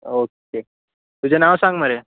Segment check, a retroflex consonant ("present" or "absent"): absent